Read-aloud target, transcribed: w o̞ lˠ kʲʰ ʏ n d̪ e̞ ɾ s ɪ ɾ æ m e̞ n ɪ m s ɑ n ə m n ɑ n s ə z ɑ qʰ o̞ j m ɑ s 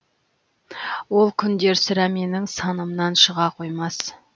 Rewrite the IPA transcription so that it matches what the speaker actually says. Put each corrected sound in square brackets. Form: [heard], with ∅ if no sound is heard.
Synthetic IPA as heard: w o̞ lˠ kʲʰ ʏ n d̪ e̞ ɾ s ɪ ɾ æ m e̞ n ɪ [ŋ] s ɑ n ə m n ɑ n [ʃ] ə [ʁ] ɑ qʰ o̞ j m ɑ s